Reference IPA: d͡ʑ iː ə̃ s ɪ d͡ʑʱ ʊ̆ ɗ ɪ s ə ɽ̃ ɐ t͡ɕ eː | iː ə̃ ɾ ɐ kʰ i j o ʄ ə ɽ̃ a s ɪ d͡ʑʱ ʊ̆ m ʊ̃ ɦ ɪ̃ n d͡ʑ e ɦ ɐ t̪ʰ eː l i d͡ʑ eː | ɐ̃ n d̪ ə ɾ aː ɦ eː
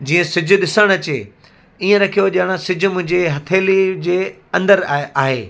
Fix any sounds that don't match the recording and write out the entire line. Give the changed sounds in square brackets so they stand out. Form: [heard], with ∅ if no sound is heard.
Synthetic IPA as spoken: d͡ʑ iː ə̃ s ɪ d͡ʑʱ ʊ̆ ɗ ɪ s ə ɽ̃ ɐ t͡ɕ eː | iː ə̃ ɾ ɐ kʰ i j o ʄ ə ɽ̃ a s ɪ d͡ʑʱ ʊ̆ m ʊ̃ ɦ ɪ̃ [ɲ] d͡ʑ e ɦ ɐ t̪ʰ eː l i d͡ʑ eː | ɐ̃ n d̪ ə ɾ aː ɦ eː